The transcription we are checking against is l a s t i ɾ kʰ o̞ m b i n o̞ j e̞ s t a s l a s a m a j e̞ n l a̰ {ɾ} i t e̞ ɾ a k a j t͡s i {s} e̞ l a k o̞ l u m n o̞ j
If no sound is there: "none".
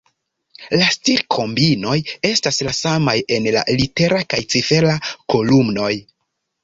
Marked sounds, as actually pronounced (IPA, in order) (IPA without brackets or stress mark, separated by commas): l, f